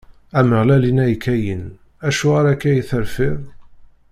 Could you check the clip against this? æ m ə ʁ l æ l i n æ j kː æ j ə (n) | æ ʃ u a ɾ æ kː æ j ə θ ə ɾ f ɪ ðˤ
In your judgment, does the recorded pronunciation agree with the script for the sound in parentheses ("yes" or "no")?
yes